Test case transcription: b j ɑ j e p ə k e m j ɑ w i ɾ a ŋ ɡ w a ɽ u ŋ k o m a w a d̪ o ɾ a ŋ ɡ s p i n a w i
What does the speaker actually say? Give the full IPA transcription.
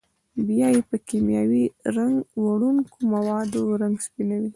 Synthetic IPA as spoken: b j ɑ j e p ə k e m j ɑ w i ɾ a ŋ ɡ w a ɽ u ŋ k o m a w ɑ d̪ o ɾ a ŋ ɡ s p i n a w i